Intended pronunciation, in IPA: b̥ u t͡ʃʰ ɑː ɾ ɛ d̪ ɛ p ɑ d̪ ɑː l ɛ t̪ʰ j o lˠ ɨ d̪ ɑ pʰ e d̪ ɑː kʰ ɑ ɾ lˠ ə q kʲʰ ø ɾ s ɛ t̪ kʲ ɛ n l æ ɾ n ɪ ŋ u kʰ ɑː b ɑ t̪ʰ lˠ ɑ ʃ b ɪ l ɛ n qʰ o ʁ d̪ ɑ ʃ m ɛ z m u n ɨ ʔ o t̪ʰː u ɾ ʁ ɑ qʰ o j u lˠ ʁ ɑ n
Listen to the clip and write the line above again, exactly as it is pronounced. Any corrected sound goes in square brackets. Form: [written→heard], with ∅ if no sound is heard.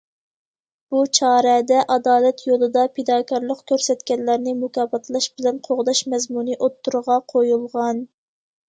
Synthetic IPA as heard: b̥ u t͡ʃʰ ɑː ɾ ɛ d̪ ɛ [p→ʔ] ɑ d̪ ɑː l ɛ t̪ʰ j o lˠ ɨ d̪ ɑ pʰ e d̪ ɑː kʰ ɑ ɾ lˠ ə q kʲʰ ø ɾ s ɛ t̪ kʲ ɛ n l æ ɾ n ɪ [ŋ→m] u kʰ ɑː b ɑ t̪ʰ lˠ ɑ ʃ b ɪ l ɛ n qʰ o ʁ d̪ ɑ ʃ m ɛ z m u n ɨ ʔ o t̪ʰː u ɾ ʁ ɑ qʰ o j u lˠ ʁ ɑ n